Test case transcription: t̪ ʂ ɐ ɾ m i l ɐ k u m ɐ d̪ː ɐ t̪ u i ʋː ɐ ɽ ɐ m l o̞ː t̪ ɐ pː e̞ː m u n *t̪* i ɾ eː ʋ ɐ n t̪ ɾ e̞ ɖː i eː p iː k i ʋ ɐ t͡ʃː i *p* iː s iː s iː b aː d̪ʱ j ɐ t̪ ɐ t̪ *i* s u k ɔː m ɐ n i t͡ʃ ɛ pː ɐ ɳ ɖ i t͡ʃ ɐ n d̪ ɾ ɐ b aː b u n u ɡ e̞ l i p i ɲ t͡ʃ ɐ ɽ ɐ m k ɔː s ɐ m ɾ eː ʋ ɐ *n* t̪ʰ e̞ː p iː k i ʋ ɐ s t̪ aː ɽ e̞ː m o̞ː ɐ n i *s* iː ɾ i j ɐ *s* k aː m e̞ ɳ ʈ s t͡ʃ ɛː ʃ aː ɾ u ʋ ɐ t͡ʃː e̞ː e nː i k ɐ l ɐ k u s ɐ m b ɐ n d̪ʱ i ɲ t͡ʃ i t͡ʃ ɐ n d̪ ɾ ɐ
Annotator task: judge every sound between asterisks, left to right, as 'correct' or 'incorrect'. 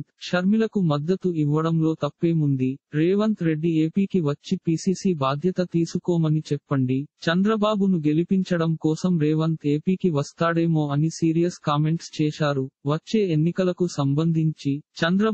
incorrect, correct, incorrect, correct, correct, correct

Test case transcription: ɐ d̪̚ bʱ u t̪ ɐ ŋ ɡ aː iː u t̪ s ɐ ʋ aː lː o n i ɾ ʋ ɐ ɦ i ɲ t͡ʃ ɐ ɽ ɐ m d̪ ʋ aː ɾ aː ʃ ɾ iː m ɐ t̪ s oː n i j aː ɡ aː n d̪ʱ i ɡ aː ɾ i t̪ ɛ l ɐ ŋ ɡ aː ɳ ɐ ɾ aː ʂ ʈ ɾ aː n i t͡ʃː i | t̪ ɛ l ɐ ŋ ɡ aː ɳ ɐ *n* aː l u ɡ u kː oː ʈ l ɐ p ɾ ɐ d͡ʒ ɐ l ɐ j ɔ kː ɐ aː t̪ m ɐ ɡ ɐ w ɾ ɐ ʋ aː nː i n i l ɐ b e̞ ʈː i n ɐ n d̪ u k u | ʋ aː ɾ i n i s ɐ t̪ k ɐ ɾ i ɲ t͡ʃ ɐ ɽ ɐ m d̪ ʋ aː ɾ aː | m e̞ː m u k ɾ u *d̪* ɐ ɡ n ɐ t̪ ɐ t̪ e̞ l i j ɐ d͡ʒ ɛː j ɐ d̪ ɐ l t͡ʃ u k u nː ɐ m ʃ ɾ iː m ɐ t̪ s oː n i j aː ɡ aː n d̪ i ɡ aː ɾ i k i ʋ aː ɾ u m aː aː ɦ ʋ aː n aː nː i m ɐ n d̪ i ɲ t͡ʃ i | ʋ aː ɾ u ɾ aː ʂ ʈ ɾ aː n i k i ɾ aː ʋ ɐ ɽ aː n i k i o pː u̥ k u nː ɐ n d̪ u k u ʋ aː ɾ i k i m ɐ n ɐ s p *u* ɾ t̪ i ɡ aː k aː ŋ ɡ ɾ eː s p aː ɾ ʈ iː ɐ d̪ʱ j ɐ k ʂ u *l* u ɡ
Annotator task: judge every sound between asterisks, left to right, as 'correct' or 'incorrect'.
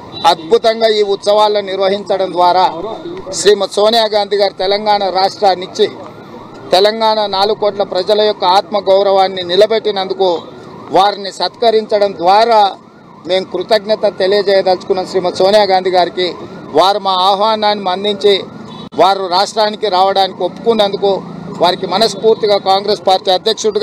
correct, incorrect, incorrect, incorrect

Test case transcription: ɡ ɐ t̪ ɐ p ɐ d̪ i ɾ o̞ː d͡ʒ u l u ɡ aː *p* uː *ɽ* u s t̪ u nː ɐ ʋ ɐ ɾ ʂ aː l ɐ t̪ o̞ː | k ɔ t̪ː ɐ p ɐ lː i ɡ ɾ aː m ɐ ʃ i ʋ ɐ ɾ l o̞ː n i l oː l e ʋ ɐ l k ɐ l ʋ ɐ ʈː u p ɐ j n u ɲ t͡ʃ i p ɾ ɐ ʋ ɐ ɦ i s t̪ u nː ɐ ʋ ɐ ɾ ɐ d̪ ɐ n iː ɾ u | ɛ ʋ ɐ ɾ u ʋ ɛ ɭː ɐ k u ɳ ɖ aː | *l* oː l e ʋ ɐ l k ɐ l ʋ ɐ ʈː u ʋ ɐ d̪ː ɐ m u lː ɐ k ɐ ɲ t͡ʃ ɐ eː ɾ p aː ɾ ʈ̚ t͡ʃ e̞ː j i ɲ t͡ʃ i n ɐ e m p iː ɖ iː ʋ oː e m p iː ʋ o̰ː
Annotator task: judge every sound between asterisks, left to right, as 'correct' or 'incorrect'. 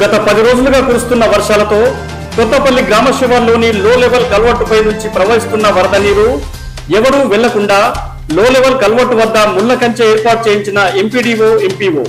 incorrect, incorrect, correct

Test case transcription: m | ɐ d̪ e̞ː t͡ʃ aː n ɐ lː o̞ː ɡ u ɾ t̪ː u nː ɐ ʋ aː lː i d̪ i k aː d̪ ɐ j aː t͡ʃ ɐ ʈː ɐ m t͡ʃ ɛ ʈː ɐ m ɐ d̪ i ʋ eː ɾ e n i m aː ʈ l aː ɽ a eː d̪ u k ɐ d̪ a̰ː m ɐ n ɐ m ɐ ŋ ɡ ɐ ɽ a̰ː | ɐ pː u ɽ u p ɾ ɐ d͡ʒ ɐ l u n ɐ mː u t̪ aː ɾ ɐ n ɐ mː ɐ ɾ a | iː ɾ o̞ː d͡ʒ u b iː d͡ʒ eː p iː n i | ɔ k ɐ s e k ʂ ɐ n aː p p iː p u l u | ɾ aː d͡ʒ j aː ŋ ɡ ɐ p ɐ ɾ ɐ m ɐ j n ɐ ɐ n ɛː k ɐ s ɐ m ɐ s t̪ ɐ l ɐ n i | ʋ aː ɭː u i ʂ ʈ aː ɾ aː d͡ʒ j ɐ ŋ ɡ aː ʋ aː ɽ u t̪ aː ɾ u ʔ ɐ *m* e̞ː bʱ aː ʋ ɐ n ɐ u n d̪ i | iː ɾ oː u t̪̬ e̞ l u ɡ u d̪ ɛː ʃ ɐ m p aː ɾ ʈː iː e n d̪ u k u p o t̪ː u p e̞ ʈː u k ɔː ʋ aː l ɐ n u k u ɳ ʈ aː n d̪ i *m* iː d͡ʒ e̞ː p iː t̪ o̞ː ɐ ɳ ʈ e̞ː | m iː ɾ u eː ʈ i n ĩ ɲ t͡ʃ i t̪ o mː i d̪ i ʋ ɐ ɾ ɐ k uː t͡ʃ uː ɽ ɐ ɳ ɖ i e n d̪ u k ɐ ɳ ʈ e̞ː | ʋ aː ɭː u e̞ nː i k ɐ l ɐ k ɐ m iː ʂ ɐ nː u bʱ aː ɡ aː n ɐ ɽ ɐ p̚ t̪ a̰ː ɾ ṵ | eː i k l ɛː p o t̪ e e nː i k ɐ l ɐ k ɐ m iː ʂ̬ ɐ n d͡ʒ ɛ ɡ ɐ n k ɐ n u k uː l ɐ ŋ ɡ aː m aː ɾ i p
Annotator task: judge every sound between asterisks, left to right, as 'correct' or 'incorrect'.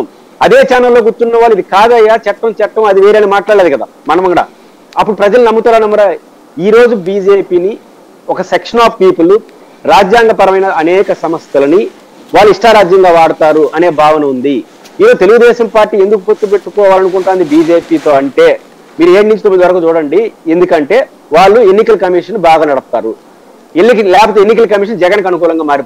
incorrect, incorrect

